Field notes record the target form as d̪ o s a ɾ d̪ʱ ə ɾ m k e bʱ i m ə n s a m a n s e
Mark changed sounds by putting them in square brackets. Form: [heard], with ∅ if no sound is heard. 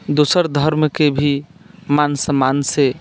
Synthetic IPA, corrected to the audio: d̪ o s [ə] ɾ d̪ʱ ə ɾ m k e bʱ i m [a] n s [ə] m a n s e